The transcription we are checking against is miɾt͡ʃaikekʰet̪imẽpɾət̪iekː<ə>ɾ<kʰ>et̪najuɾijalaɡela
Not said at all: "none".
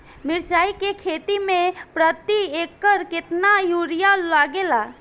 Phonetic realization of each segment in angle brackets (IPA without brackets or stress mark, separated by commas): ə, k